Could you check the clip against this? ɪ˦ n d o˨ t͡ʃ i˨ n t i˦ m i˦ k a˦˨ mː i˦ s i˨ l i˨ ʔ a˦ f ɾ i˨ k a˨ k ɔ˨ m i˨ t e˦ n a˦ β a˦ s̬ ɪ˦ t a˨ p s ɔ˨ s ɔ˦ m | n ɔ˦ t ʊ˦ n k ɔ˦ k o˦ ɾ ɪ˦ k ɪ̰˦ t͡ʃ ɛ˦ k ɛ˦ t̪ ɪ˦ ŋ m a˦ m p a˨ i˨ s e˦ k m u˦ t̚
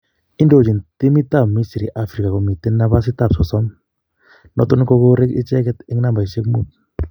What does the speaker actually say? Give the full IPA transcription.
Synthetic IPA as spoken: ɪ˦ n d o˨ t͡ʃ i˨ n t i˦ m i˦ t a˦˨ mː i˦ s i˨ ɾ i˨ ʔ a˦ f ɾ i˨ k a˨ k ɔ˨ m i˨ t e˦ n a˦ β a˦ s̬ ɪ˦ t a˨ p s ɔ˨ s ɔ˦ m | n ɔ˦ t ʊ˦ n k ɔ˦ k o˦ ɾ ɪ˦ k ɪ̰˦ t͡ʃ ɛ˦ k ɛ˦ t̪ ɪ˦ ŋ n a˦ m b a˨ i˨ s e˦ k m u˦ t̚